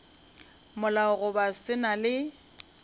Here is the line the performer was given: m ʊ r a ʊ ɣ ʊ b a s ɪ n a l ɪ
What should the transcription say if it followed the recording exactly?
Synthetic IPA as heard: m ʊ l a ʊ ɣ ʊ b a s ɪ n a l ɪ